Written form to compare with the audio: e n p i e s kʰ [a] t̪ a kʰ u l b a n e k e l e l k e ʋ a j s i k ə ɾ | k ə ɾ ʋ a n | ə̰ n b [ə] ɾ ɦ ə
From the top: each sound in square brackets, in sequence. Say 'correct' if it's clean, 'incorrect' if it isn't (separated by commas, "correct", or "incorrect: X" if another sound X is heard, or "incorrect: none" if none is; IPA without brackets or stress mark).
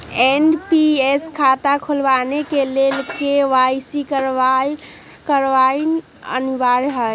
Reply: correct, incorrect: a